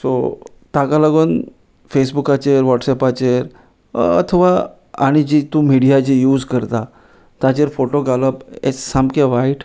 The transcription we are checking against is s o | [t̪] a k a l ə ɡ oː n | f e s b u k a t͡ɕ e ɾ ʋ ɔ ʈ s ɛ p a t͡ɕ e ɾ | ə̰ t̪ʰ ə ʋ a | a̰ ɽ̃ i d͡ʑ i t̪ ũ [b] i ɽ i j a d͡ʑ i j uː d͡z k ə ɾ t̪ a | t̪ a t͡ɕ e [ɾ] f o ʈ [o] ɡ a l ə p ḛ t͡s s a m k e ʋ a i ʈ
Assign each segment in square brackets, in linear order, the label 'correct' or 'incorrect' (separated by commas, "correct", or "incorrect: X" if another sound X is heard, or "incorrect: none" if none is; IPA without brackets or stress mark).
correct, incorrect: m, correct, correct